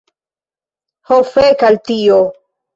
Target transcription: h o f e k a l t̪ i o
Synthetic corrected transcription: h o f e k a l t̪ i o

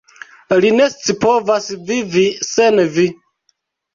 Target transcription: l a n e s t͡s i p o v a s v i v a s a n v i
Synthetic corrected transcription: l i n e s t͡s i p o v a s v i v i s e n v i

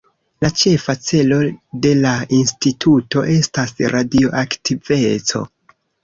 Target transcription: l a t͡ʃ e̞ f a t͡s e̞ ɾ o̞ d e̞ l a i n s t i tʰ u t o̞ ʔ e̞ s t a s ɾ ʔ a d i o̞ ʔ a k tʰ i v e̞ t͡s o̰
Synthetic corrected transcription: l a t͡ʃ e̞ f a t͡s e̞ l o̞ d e̞ l a i n s t i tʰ u t o̞ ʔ e̞ s t a s ɾ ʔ a d i o̞ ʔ a k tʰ i v e̞ t͡s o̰

